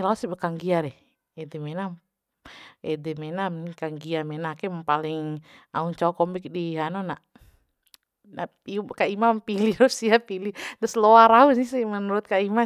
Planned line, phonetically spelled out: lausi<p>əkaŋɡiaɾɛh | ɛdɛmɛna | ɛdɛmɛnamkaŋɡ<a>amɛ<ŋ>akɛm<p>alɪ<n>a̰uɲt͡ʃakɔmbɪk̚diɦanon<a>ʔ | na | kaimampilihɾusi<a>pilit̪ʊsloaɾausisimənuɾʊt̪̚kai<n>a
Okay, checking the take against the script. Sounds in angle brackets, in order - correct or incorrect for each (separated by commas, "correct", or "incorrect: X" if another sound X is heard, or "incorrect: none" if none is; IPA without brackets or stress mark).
incorrect: b, incorrect: i, incorrect: n, correct, incorrect: ŋ, correct, correct, incorrect: m